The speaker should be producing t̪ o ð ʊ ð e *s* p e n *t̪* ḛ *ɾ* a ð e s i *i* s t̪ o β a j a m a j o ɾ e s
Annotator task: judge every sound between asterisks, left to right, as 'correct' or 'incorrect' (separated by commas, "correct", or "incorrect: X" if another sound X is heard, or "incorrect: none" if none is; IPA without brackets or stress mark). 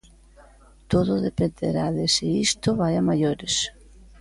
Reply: incorrect: none, incorrect: d̪, correct, correct